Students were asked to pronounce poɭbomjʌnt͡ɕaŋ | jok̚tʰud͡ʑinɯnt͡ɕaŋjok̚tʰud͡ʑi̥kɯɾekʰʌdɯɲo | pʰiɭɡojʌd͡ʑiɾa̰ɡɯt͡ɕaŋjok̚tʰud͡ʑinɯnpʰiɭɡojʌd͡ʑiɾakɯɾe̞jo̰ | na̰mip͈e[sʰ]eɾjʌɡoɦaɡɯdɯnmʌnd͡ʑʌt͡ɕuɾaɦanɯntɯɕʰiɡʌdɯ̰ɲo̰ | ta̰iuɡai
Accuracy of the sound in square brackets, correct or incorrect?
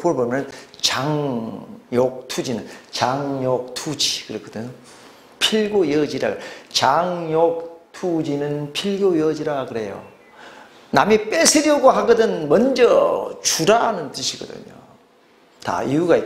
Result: correct